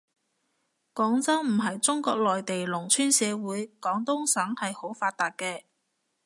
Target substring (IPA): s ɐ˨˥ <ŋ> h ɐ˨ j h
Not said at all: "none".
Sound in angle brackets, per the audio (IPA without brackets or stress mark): ŋ